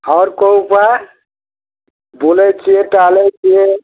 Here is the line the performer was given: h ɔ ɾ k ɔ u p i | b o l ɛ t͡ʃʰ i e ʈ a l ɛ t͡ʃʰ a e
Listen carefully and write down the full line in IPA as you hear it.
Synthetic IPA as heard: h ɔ ɾ k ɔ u p a | b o l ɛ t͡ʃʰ i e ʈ a l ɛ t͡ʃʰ i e